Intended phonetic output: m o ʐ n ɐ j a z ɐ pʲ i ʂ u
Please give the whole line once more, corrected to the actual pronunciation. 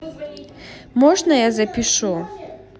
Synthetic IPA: m ɔ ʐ n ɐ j a z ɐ pʲ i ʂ u